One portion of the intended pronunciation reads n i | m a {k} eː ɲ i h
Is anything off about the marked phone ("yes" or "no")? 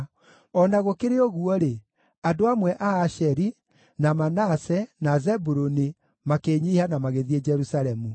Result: no